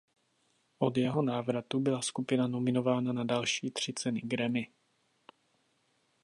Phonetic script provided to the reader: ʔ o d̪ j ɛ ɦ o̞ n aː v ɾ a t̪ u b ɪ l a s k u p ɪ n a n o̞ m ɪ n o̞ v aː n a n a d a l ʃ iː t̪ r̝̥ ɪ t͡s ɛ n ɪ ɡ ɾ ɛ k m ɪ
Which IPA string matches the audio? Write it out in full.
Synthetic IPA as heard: ʔ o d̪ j ɛ ɦ o̞ n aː v ɾ a t̪ u b ɪ l a s k u p ɪ n a n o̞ m ɪ n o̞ v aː n a n a d a l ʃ iː t̪ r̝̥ ɪ t͡s ɛ n ɪ ɡ ɾ ɛ m ɪ